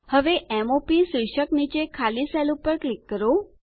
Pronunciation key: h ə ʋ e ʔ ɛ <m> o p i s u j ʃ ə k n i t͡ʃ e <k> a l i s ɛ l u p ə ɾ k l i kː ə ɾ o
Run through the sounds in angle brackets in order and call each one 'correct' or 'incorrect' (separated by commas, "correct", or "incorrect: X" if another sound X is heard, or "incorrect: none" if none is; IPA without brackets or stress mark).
correct, incorrect: kʰ